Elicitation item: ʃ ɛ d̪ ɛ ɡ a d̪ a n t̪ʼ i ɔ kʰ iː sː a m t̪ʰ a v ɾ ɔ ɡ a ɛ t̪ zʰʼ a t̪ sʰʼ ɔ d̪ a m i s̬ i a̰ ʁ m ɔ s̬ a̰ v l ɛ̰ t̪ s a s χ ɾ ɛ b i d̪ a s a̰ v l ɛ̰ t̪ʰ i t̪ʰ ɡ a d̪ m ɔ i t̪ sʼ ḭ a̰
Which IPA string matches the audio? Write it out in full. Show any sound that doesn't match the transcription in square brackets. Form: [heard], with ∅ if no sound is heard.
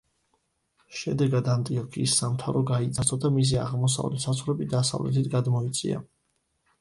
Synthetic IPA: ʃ ɛ d̪ ɛ ɡ a d̪ a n t̪ʼ i ɔ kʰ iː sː a m t̪ʰ a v ɾ ɔ ɡ a [i] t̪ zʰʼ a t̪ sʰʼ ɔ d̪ a m i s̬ i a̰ ʁ m ɔ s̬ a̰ v l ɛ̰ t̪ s a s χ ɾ ɛ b i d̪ a s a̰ v l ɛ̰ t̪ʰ i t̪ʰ ɡ a d̪ m ɔ i t̪ sʼ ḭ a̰